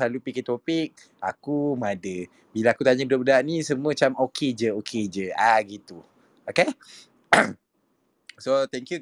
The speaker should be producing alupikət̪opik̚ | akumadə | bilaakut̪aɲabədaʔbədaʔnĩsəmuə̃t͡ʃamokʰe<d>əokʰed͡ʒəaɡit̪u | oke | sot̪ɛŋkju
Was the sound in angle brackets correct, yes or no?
no